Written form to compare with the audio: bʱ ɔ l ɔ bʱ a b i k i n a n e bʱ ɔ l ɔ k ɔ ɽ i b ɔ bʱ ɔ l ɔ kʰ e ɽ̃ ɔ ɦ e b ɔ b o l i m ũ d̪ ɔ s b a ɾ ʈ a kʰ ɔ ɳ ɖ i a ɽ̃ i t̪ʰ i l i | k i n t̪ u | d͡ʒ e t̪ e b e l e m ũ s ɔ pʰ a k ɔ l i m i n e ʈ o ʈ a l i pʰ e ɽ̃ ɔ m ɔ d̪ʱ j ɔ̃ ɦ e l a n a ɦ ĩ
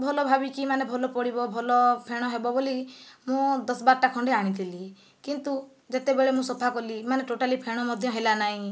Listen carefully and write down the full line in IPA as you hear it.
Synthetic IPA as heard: bʱ ɔ l ɔ bʱ a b i k i m a n e bʱ ɔ l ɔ p ɔ ɽ i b ɔ bʱ ɔ l ɔ pʰ e ɽ̃ ɔ ɦ e b ɔ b o l i m ũ d̪ ɔ s b a ɾ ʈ a kʰ ɔ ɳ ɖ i a ɽ̃ i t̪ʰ i l i | k i n t̪ u | d͡ʒ e t̪ e b e ɭ e m ũ s ɔ pʰ a k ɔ l i m a n e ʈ o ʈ a l i pʰ e ɽ̃ ɔ m ɔ d̪ʱ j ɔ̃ ɦ e l a n a ɦ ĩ

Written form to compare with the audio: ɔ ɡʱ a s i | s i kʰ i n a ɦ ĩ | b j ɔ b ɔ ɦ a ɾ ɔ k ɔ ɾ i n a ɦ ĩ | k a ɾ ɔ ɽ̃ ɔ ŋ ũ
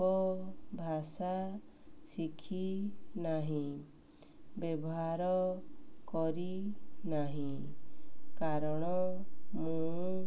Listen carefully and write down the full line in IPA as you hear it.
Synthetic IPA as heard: ɔ bʱ a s a | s i kʰ i n a ɦ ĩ | b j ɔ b ɔ ɦ a ɾ ɔ k ɔ ɾ i n a ɦ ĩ | k a ɾ ɔ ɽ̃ ɔ m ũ

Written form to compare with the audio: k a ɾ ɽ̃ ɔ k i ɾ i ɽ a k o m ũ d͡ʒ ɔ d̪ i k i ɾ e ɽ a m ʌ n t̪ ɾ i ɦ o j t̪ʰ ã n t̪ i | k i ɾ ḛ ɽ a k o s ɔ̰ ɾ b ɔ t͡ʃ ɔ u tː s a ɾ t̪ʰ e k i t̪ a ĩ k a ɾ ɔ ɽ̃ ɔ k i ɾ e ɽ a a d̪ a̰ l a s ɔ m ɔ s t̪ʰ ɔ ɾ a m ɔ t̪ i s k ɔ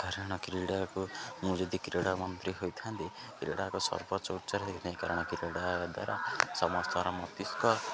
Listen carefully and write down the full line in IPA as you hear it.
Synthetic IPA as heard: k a ɾ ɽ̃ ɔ k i ɾ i ɽ a k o m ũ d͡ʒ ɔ d̪ i k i ɾ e ɽ a m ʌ n t̪ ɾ i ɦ o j t̪ʰ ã n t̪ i | k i ɾ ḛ ɽ a k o s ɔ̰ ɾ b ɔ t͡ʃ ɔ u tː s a ɾ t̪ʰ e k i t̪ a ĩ k a ɾ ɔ ɽ̃ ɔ k i ɾ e ɽ a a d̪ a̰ ɾ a s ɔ m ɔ s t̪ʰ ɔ ɾ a m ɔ t̪ i s k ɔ

